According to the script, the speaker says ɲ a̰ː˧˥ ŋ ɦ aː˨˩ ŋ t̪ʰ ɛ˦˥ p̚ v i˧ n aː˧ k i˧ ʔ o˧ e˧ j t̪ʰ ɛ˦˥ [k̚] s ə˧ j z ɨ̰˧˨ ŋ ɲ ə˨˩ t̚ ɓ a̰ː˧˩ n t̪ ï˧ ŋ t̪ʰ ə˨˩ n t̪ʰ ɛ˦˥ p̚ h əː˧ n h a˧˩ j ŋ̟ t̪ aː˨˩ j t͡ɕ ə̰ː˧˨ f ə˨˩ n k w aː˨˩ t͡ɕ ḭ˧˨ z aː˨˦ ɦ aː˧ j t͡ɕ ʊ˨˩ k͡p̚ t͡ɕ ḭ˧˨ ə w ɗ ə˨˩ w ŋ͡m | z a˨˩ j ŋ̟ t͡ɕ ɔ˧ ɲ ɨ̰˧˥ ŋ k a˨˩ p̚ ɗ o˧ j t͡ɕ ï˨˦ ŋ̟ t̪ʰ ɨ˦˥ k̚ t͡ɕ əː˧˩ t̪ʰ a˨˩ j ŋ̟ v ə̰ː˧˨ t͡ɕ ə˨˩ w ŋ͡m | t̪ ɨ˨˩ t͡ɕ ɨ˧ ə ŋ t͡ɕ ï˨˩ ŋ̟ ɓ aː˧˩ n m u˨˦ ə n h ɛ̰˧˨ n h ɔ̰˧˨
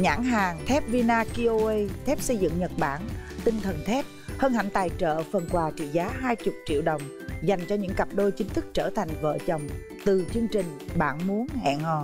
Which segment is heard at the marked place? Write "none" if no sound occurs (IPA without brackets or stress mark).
p̚